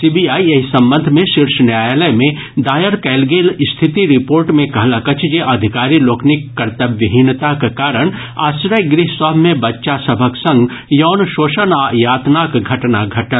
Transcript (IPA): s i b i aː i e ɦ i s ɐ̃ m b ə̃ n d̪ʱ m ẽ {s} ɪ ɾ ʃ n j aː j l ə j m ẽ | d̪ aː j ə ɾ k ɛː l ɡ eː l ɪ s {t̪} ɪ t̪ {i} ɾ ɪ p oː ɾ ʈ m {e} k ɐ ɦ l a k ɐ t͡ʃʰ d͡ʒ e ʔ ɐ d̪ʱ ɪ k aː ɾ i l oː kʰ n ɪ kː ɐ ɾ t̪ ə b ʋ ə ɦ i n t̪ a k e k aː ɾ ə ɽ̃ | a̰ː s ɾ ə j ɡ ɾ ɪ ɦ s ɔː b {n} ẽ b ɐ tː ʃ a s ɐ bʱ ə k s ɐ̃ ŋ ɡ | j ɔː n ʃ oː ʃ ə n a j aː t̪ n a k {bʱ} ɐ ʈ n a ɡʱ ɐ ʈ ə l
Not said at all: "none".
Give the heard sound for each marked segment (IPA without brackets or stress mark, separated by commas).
ʃ, t̪ʰ, i, ẽ, m, ɡʱ